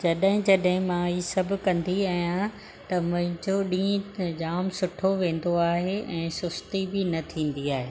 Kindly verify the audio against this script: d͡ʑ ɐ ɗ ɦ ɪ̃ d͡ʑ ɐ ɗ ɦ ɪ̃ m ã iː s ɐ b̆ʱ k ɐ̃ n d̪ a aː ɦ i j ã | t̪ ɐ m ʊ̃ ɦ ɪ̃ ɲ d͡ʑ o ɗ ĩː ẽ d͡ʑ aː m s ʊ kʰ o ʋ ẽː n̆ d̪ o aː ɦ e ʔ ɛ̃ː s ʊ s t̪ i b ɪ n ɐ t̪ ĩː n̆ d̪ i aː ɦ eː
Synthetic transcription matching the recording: d͡ʑ ɐ ɗ ɦ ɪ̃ d͡ʑ ɐ ɗ ɦ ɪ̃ m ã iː s ɐ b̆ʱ k ɐ̃ n d̪ i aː ɦ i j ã | t̪ ɐ m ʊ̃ ɦ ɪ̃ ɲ d͡ʑ o ɗ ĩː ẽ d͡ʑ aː m s ʊ ʈʰ o ʋ ẽː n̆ d̪ o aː ɦ e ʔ ɛ̃ː s ʊ s t̪ i b ɪ n ɐ t̪ʰ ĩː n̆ d̪ i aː ɦ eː